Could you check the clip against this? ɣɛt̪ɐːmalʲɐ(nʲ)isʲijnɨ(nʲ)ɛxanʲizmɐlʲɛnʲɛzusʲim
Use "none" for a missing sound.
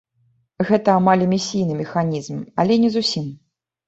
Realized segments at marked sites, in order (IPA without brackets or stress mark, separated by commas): mʲ, mʲ